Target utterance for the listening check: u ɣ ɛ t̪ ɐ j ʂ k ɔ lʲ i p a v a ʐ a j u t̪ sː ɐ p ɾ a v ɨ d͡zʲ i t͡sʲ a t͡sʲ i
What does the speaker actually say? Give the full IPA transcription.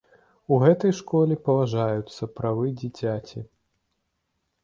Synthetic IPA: u ɣ ɛ t̪ ɐ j ʂ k ɔ lʲ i p ɐ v a ʐ a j u t̪ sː ɐ p ɾ a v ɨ d͡zʲ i t͡sʲ a t͡sʲ i